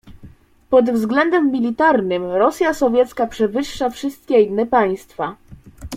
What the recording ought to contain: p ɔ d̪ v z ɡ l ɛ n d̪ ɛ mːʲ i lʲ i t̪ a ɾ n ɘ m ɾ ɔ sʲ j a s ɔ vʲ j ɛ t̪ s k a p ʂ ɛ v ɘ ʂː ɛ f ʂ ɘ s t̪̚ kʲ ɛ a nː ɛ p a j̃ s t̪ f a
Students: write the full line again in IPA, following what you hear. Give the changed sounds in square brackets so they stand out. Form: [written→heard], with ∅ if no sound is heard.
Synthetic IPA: p ɔ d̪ v z ɡ l ɛ n d̪ ɛ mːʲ i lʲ i t̪ a ɾ n ɘ m ɾ ɔ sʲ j a s ɔ vʲ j ɛ t̪ s k a p ʂ ɛ v ɘ ʂː [ɛ→a] f ʂ ɘ s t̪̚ kʲ ɛ [a→i] nː ɛ p a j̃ s t̪ f a